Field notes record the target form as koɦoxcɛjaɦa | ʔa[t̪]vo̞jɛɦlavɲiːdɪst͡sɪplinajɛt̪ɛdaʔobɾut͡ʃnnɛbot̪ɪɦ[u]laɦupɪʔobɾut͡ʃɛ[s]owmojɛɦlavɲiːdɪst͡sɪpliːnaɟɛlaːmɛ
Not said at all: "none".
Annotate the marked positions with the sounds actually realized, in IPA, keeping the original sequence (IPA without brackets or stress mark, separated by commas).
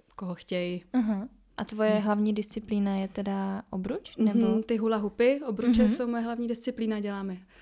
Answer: t̪, u, s